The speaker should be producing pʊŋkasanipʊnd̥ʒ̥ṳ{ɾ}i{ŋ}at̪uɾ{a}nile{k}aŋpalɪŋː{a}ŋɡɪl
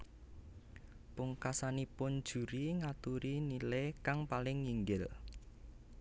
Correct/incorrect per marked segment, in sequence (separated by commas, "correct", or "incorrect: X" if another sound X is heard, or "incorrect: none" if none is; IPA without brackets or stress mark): correct, correct, incorrect: i, correct, incorrect: i